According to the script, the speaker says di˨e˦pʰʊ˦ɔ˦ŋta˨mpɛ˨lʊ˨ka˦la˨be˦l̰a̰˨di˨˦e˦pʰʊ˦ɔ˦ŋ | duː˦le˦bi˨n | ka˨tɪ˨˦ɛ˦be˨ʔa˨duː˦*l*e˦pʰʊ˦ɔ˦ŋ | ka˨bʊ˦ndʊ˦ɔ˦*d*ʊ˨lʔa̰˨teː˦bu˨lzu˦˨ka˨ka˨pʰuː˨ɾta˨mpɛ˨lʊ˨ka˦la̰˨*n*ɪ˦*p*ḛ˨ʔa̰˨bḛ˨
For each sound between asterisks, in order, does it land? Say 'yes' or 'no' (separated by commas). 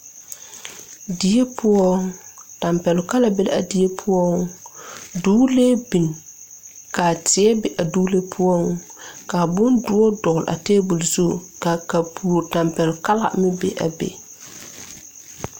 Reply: yes, yes, no, no